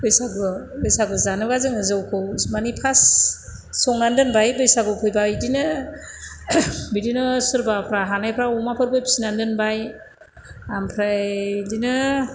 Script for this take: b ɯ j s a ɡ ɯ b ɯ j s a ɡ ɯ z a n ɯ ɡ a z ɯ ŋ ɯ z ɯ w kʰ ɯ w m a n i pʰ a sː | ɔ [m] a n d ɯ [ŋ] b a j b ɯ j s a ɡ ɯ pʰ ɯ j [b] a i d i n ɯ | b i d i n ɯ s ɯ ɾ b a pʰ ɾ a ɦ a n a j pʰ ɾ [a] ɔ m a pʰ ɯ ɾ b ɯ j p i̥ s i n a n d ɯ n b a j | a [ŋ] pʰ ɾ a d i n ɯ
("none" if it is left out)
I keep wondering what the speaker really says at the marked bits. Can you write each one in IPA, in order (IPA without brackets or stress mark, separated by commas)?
ŋ, n, b, a, m